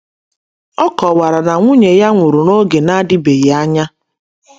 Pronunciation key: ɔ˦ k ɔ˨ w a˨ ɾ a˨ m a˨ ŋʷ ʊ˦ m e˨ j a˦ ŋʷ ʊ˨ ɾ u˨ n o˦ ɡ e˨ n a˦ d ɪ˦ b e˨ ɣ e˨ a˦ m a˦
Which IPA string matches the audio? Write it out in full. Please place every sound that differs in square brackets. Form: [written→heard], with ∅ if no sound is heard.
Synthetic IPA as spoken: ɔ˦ k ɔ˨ w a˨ ɾ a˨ [m→n] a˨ ŋʷ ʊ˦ [m→ɲ] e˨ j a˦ ŋʷ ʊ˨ ɾ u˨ n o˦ ɡ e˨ n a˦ d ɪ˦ b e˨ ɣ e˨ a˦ [m→ɲ] a˦